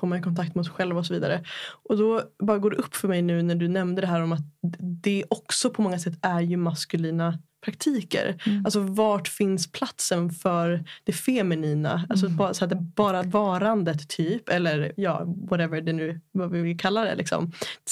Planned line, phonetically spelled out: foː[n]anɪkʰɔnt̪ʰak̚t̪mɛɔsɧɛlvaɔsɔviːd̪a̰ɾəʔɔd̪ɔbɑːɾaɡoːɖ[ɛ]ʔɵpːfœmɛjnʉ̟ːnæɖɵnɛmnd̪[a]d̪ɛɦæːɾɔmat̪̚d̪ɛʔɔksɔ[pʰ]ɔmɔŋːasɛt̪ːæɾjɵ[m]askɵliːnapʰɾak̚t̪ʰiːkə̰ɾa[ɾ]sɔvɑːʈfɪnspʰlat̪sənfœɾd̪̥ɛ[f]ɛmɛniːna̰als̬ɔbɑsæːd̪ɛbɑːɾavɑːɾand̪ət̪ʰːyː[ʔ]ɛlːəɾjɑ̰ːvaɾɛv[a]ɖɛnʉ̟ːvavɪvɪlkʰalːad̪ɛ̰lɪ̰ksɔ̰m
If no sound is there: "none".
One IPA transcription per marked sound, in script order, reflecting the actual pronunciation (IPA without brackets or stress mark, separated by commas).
m, ɛ, ə, pʰ, m, l, f, p, ə